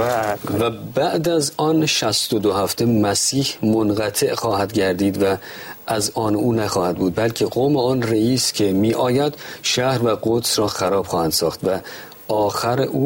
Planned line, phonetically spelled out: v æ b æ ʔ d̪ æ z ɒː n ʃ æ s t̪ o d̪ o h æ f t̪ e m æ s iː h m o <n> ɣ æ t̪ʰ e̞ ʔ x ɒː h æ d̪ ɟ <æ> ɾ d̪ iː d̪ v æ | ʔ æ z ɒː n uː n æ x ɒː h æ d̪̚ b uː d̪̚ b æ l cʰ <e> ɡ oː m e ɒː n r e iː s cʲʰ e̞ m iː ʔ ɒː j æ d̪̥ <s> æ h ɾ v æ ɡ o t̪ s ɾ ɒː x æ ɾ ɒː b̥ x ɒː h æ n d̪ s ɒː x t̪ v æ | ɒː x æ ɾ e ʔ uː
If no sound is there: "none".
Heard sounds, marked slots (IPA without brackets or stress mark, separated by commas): n, æ, e, ʃ